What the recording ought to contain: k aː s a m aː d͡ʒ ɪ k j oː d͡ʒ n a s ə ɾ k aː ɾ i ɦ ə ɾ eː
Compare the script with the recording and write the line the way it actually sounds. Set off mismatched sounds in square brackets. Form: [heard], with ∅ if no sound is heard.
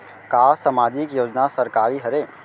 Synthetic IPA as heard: k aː s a m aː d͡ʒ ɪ k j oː d͡ʒ n a s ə ɾ k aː ɾ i ɦ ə ɾ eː